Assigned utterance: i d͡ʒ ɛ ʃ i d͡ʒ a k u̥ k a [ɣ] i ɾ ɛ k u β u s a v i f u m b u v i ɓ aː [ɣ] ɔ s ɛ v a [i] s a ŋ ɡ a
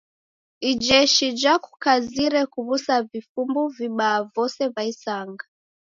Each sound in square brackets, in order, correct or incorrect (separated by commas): incorrect, incorrect, correct